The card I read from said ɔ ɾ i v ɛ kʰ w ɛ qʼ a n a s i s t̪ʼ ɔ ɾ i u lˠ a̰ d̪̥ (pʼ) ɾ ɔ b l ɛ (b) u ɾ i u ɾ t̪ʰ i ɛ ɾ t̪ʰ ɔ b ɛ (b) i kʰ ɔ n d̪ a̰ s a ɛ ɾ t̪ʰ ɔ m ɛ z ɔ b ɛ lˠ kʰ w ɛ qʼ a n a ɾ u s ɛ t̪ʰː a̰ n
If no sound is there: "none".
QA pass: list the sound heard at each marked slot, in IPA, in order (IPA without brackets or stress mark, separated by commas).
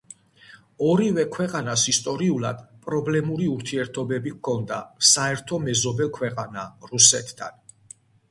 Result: pʼ, m, b